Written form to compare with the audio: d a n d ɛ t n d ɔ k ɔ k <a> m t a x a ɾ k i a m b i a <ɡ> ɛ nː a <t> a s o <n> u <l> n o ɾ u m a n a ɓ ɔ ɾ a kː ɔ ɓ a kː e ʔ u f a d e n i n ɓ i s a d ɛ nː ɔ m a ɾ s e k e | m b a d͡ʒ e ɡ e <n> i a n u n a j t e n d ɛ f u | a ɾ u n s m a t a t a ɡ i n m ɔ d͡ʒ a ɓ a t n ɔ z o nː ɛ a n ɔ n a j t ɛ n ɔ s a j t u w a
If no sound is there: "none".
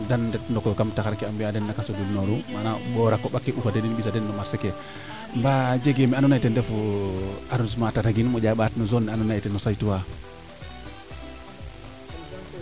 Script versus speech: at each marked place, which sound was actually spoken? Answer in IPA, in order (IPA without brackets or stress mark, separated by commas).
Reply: a, d, k, d, l, m